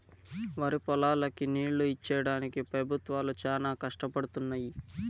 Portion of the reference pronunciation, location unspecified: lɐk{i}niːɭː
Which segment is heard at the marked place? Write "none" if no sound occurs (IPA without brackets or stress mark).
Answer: i